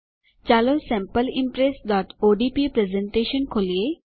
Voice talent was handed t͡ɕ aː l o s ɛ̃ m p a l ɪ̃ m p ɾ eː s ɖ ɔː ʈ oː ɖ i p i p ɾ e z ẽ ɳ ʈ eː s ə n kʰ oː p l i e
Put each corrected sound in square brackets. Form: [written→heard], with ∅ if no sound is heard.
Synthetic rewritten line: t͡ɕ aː l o s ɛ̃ m p [a→ə] l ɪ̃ m p ɾ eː s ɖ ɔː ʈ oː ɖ i p i p ɾ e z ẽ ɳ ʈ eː [s→ʃ] ə n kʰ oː [p→∅] l i e

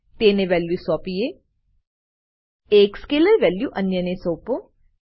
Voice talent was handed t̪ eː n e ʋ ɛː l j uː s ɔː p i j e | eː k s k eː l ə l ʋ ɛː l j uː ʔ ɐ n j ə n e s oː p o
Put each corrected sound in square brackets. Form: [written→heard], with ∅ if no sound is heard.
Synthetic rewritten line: t̪ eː n e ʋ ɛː l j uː s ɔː p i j e | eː k s k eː l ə [l→ɾ] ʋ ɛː l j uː ʔ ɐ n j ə n e s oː p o

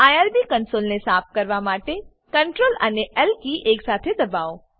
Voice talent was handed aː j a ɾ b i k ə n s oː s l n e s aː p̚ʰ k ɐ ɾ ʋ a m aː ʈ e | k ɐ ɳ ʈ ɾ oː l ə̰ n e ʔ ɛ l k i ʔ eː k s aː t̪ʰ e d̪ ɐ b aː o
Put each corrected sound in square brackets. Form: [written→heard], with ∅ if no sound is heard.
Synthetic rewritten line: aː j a ɾ b i k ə n s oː [s→∅] l n e s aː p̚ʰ k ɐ ɾ ʋ a m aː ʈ e | k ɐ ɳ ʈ ɾ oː l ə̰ n e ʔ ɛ l k i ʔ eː k s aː t̪ʰ e d̪ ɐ b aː o

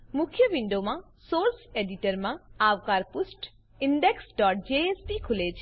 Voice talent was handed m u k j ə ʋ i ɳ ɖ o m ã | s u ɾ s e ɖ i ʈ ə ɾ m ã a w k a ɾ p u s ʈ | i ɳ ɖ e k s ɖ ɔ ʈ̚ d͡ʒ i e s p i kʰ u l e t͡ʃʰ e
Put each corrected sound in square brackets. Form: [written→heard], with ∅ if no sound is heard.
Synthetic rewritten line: m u [k→kʰ] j ə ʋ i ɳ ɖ o m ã | s [u→o] ɾ s e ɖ i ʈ ə ɾ m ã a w k a ɾ p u s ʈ | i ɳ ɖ e k s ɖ ɔ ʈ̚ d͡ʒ [i→e] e s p i kʰ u l e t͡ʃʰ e

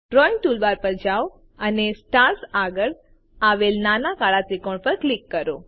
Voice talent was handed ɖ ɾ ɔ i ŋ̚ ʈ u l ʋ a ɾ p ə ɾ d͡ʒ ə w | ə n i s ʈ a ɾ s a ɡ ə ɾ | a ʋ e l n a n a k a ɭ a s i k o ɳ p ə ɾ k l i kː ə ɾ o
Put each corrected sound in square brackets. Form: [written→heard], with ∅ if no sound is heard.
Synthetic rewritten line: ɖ ɾ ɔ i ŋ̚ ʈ u l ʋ a ɾ p ə ɾ d͡ʒ [ə→a] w | ə n [i→e] s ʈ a ɾ s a ɡ ə [ɾ→ɭ] | a ʋ e l n a n a k a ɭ a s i k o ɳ p ə ɾ k l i kː ə ɾ o

